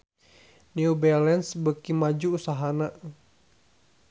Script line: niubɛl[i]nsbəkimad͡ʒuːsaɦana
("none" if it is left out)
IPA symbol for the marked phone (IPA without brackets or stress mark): ɛ